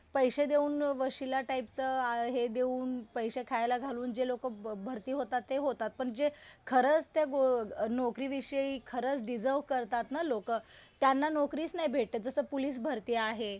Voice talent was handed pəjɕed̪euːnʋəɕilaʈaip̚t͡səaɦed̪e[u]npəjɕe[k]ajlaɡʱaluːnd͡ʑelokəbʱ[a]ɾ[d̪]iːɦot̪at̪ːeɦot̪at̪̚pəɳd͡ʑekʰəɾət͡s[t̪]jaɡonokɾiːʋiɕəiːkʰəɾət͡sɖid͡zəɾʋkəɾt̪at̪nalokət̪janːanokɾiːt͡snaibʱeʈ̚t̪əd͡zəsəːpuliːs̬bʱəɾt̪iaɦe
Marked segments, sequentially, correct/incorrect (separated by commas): incorrect, incorrect, incorrect, incorrect, correct